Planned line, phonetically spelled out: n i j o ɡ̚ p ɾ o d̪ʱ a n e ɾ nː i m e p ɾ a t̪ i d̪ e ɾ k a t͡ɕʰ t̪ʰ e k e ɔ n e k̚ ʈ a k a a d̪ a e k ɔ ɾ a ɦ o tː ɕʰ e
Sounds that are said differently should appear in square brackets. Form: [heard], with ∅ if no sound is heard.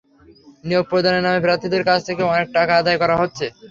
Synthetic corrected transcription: n i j o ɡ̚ p ɾ o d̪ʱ a n e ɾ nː [a] m e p ɾ a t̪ i d̪ e ɾ k a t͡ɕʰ t̪ʰ e k e ɔ n e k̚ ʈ a k a a d̪ a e k ɔ ɾ a ɦ o tː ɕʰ e